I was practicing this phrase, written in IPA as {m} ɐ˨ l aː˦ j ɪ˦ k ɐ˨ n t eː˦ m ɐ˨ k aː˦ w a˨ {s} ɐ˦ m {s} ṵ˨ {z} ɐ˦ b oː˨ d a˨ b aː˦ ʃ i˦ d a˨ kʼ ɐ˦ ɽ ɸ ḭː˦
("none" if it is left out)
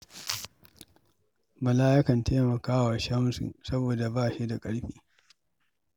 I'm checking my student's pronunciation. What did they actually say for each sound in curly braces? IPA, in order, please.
m, ʃ, s, s

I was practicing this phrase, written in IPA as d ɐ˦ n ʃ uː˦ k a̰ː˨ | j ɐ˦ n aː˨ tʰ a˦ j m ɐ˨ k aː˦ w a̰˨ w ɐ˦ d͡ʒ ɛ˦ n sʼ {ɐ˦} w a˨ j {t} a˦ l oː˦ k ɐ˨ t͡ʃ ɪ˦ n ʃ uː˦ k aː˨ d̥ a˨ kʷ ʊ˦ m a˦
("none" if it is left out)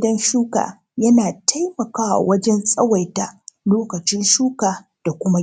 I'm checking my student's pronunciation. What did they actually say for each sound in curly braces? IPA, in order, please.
ɐ˦, t

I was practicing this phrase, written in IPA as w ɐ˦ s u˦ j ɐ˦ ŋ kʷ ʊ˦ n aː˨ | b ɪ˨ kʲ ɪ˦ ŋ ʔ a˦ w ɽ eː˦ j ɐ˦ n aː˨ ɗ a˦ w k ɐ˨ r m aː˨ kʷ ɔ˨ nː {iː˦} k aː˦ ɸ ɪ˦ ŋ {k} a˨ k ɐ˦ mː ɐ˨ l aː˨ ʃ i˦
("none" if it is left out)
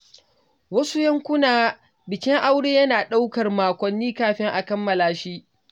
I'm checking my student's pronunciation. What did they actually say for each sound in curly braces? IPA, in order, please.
iː˦, ʔ

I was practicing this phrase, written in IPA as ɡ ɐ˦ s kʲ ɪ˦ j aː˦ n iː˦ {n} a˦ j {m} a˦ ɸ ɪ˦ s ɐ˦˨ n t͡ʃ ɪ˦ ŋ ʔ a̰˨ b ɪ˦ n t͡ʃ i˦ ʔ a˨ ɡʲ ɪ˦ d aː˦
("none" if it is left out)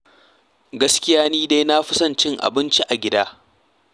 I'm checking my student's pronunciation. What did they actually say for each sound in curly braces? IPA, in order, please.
d, n

